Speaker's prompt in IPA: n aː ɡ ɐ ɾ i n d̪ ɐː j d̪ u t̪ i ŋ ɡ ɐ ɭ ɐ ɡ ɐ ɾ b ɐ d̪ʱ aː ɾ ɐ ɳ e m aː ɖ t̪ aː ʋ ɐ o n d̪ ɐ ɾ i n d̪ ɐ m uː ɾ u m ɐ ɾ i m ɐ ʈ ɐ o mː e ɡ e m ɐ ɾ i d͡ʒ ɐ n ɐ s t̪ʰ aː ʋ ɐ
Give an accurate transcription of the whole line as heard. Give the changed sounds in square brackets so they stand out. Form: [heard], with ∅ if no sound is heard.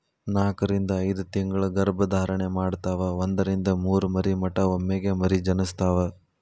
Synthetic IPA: n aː [k] ɐ ɾ i n d̪ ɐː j d̪ u t̪ i ŋ ɡ ɐ ɭ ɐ ɡ ɐ ɾ b ɐ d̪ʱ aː ɾ ɐ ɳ e m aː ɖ t̪ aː ʋ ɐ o n d̪ ɐ ɾ i n d̪ ɐ m uː ɾ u m ɐ ɾ i m ɐ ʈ ɐ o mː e ɡ e m ɐ ɾ i d͡ʒ ɐ n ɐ s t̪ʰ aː ʋ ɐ